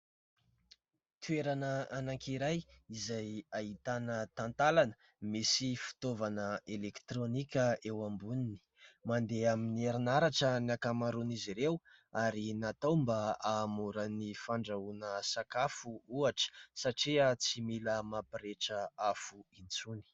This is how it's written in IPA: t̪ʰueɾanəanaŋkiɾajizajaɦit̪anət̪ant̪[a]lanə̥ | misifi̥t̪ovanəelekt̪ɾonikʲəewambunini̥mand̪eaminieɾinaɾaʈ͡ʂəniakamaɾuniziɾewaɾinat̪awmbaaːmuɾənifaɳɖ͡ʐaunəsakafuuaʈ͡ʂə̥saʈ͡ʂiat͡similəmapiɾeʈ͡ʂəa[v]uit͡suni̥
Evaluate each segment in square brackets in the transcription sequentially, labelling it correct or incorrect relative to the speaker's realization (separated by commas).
correct, incorrect